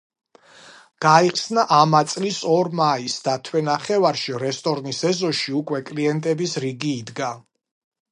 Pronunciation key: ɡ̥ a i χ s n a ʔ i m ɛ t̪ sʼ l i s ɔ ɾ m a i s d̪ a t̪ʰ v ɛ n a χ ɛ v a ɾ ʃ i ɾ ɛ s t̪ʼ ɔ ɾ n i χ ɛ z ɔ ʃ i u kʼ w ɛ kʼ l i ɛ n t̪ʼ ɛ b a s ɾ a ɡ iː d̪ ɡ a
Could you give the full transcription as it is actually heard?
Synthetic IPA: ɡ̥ a i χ s n a ʔ a m a t̪ sʼ l i s ɔ ɾ m a i s d̪ a t̪ʰ w ɛ n a χ ɛ v a ɾ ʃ i ɾ ɛ s t̪ʼ ɔ ɾ n i s ɛ z ɔ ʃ i u kʼ w ɛ kʼ l i ɛ n t̪ʼ ɛ b i s ɾ i ɡ iː d̪ ɡ a